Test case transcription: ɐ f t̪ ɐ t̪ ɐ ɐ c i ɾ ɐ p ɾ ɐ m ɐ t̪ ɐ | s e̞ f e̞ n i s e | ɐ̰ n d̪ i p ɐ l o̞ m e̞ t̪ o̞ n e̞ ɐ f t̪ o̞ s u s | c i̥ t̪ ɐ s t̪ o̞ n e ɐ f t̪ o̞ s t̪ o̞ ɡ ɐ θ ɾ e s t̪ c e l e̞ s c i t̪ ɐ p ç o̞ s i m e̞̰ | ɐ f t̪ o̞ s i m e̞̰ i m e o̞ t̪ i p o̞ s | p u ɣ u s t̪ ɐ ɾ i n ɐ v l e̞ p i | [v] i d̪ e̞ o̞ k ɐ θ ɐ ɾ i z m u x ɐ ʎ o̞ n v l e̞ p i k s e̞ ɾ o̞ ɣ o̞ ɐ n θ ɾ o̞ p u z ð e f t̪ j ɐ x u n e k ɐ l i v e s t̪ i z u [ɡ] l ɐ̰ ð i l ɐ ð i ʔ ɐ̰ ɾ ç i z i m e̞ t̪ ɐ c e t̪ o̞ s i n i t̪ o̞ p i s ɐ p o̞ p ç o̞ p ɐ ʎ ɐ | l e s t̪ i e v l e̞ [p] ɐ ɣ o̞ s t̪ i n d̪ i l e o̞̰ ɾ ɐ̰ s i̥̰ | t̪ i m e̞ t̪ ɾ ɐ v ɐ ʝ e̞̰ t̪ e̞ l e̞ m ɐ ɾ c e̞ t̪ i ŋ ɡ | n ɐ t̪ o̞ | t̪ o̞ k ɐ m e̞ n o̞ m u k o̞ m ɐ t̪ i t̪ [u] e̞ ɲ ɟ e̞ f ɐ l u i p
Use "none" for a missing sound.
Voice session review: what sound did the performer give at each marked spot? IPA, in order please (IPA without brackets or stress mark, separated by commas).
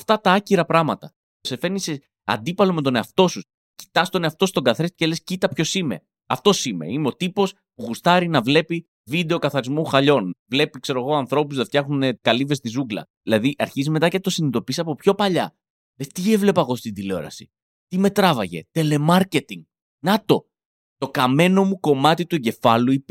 v, ɡ, p, u